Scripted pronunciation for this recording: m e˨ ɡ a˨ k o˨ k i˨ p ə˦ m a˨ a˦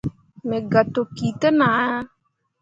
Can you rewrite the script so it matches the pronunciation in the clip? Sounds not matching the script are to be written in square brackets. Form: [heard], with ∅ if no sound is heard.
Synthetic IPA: m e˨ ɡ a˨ [t] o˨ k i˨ [t] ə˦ [n] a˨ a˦